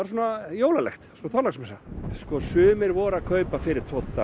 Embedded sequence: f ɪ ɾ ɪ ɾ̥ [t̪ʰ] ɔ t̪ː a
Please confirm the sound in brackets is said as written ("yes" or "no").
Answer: yes